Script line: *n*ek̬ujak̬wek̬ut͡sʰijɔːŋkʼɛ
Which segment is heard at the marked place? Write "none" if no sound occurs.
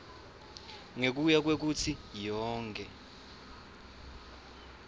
ŋ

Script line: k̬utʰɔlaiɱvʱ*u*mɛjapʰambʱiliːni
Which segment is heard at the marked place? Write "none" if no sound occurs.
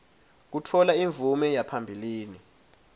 u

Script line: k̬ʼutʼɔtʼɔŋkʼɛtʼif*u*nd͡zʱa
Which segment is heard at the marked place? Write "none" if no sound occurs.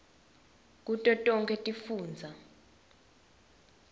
uː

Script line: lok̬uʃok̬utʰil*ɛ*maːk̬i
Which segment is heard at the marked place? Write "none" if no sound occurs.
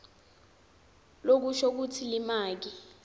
i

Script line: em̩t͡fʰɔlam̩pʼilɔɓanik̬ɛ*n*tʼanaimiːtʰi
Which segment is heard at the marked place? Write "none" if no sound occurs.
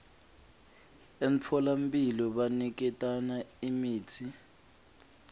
none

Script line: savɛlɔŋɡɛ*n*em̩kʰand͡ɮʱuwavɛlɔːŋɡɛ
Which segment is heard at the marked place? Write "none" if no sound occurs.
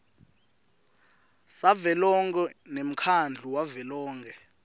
n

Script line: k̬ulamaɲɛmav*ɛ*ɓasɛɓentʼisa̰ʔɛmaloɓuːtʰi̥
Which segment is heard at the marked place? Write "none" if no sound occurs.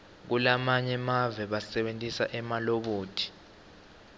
ɛ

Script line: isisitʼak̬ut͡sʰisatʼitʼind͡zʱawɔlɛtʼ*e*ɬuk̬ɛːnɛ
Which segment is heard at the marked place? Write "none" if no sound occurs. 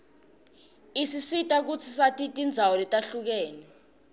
a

